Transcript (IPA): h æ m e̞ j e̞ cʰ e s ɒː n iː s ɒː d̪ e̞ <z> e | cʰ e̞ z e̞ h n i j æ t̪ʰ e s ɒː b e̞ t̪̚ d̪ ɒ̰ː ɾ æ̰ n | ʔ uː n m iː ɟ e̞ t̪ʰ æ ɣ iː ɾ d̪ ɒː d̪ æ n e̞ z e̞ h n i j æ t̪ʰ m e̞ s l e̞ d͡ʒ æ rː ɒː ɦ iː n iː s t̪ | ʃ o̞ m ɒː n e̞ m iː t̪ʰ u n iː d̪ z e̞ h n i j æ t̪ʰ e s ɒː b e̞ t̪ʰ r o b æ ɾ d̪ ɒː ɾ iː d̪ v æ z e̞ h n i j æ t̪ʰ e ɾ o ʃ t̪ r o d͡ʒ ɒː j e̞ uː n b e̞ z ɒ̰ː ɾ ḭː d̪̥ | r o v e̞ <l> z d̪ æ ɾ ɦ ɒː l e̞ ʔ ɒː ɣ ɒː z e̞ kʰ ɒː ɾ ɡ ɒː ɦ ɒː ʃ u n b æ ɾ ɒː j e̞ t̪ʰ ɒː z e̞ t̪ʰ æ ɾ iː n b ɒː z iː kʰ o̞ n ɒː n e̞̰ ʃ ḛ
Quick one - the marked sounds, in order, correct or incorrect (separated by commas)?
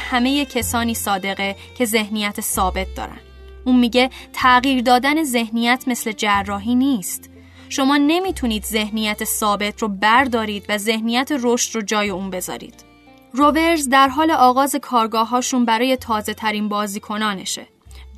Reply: incorrect, incorrect